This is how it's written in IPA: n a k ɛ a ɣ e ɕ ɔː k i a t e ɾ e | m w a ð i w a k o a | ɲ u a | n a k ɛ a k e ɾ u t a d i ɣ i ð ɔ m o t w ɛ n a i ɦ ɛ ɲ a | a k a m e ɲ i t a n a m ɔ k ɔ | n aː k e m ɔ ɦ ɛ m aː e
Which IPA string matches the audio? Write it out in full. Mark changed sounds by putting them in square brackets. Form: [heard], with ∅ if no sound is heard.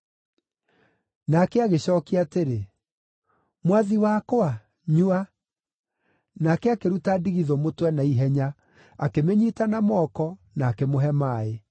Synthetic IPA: n a k ɛ a ɣ e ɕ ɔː k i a t e ɾ e | m w a ð i w a k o a | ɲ u a | n a k ɛ a k e ɾ u t a d i ɣ i ð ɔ m o t w ɛ n a i ɦ ɛ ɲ a | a k [e] m e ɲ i t a n a m ɔ k ɔ | n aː k e m [o] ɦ ɛ m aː e